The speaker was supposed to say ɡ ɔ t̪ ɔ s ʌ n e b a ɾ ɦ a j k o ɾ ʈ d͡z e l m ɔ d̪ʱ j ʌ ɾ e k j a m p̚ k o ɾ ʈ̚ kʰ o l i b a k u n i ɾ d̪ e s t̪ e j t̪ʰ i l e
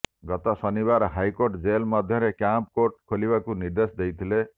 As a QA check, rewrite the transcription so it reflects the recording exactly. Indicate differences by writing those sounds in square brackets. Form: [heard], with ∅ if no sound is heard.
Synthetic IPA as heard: ɡ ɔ t̪ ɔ s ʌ n [i] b a ɾ ɦ a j k o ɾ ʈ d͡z e l m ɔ d̪ʱ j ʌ ɾ e k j a m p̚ k o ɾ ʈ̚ kʰ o l i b a k u n i ɾ d̪ e s [d̪] e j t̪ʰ i l e